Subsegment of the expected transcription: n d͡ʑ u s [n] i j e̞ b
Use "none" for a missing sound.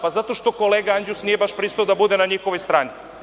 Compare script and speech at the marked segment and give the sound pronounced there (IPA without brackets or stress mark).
n